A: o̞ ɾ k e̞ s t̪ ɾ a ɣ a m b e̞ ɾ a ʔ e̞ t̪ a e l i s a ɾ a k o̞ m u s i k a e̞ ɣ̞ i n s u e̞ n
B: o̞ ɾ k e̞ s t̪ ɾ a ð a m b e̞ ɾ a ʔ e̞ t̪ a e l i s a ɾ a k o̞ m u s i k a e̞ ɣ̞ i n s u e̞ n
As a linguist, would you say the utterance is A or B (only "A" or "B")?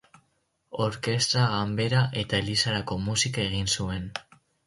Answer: A